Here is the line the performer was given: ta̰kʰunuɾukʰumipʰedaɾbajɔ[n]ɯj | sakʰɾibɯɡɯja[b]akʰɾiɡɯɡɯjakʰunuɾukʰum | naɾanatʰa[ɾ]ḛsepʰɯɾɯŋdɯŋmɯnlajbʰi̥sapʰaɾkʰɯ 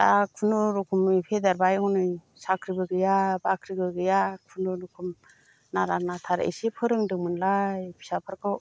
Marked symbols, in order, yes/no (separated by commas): yes, yes, yes